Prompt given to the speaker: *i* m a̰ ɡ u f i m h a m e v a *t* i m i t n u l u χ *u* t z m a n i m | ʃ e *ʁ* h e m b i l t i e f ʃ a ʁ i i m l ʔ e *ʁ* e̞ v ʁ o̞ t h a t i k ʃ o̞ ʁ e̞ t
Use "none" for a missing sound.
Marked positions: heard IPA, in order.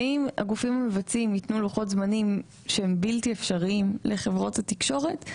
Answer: i, t͡s, o, none, χ

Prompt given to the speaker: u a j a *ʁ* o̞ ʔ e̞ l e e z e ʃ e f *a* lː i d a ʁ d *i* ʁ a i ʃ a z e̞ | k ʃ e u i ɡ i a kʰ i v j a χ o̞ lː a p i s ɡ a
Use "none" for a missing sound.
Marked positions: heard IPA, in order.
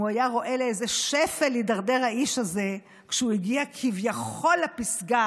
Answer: ʁ, e, e

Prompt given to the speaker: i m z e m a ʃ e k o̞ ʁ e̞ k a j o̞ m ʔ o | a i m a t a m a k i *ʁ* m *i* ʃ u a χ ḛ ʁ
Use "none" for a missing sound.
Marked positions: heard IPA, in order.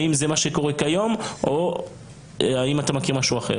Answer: ʁ, a

